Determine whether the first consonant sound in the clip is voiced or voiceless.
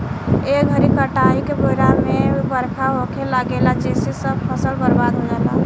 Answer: voiced